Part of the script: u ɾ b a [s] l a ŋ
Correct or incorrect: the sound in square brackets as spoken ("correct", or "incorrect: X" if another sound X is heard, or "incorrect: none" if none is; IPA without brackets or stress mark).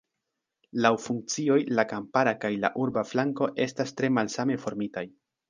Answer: incorrect: f